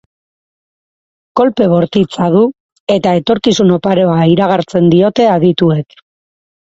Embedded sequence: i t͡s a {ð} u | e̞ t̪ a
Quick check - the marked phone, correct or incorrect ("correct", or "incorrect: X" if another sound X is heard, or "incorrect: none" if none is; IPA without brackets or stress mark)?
correct